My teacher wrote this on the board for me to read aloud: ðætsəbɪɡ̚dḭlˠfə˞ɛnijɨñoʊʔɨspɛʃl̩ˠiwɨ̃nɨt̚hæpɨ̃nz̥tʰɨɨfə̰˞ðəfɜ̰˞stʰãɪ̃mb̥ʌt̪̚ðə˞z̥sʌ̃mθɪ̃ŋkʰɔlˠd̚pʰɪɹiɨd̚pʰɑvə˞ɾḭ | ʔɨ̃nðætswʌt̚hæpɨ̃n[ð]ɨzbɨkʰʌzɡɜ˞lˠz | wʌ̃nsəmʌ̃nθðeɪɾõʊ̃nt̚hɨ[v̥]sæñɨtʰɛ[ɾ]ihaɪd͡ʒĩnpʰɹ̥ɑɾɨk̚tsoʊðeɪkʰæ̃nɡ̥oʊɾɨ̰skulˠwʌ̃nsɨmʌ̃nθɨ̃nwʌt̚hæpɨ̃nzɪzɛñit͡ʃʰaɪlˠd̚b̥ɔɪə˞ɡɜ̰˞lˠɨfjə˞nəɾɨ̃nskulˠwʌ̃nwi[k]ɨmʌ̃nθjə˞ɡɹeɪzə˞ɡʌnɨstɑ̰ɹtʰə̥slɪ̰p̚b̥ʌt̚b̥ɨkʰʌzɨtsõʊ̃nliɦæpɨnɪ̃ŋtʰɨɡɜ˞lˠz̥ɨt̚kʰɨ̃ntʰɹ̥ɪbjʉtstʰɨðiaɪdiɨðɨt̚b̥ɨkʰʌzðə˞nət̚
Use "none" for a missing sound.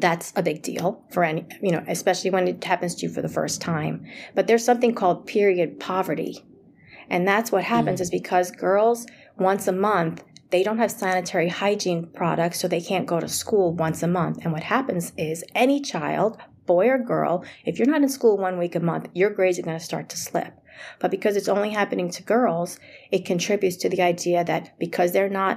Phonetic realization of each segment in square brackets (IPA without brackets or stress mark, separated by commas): z, v̥, ɹ, k